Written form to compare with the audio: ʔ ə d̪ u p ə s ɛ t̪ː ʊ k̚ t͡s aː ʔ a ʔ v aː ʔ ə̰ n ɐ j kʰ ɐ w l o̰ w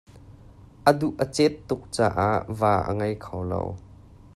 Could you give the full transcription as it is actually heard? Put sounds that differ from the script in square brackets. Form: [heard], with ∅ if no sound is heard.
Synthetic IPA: ʔ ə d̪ u [ʔ] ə [t͡s] ɛ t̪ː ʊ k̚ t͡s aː ʔ a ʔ v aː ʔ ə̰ [ŋ] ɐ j kʰ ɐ w l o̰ w